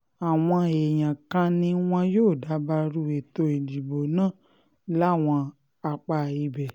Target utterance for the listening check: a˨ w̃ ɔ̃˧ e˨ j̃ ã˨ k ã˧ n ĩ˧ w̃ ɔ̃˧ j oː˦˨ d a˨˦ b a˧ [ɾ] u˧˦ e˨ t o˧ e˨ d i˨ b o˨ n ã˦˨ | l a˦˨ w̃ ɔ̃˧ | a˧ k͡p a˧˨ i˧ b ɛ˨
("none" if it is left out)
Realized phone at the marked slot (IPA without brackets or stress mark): ɾ